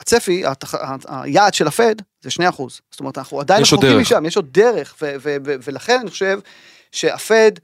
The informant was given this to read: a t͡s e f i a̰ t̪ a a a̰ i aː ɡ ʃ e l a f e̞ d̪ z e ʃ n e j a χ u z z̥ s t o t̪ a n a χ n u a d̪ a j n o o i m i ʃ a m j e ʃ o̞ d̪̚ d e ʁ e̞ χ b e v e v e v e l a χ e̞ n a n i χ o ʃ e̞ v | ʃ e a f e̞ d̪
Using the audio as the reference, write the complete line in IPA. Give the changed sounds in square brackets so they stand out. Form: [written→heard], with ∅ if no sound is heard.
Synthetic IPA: a t͡s e f i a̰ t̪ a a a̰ [i→j] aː [ɡ→d] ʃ e l a f e̞ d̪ z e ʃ n e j a χ u z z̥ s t o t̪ a n a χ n u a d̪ a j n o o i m i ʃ a m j e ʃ o̞ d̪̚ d e ʁ e̞ χ [b→v] e v e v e v e l a χ e̞ n a n i χ o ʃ e̞ v | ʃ e a f e̞ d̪